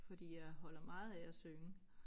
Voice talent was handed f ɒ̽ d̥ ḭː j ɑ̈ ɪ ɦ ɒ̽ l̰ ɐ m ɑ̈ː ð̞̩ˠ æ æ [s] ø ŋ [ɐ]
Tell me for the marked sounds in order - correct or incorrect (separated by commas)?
correct, incorrect